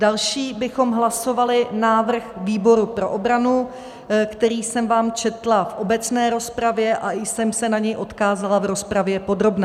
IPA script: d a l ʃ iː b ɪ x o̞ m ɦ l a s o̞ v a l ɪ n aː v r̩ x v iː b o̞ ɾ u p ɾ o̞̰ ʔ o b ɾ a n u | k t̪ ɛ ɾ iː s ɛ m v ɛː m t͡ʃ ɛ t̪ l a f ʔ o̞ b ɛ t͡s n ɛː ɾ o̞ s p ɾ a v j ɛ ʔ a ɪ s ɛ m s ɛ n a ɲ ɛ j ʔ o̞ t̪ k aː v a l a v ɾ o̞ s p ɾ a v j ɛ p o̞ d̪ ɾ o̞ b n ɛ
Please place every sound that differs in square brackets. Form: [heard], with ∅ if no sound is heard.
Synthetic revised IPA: d a l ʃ iː b ɪ x o̞ m ɦ l a s o̞ v a l ɪ n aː v r̩ x v iː b o̞ ɾ u p ɾ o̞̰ ʔ o b ɾ a n u | k t̪ ɛ ɾ iː s ɛ m v [aː] m t͡ʃ ɛ t̪ l a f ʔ o̞ b ɛ t͡s n ɛː ɾ o̞ s p ɾ a v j ɛ ʔ a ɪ s ɛ m s ɛ n a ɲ ɛ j ʔ o̞ t̪ k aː [z] a l a v ɾ o̞ s p ɾ a v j ɛ p o̞ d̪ ɾ o̞ b n ɛ